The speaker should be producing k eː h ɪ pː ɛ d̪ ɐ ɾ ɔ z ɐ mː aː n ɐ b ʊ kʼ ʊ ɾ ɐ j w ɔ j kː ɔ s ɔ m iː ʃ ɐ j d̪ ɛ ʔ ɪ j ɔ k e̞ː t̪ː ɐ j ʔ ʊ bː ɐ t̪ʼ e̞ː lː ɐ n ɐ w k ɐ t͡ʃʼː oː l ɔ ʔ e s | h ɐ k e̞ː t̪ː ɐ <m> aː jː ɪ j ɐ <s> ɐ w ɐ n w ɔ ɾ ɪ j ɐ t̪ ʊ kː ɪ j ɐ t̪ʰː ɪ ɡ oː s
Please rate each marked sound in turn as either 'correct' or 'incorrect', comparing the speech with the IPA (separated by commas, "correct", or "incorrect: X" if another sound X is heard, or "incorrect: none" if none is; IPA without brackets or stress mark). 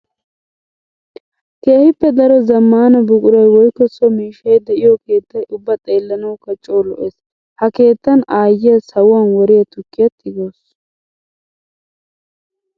incorrect: n, correct